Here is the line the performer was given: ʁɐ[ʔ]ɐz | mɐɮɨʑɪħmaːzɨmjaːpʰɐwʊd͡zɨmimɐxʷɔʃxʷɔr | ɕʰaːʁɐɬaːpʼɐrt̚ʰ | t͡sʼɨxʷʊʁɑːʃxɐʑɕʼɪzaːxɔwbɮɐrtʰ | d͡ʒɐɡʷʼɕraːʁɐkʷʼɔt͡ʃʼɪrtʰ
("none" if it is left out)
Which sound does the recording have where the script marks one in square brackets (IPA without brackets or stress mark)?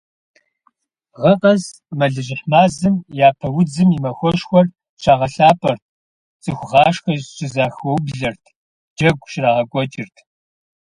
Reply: q